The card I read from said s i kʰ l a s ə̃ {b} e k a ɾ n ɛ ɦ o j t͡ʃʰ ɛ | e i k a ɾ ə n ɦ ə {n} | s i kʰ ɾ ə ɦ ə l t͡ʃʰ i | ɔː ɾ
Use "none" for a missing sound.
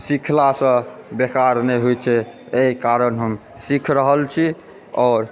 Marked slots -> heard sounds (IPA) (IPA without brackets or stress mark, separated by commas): b, m